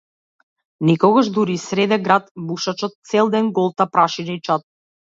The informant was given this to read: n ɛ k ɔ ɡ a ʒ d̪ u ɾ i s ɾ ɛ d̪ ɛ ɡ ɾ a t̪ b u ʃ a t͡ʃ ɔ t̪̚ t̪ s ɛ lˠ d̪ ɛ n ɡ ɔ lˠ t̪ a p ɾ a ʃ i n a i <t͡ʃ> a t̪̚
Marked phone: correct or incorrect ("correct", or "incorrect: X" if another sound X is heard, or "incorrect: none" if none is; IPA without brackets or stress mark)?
correct